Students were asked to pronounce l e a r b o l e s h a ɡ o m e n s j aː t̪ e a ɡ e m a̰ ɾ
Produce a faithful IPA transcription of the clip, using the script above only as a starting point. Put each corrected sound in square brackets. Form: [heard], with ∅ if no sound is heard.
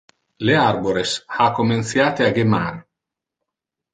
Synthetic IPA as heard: l e a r b o [ɾ] e s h a [k] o m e n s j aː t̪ e a ɡ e m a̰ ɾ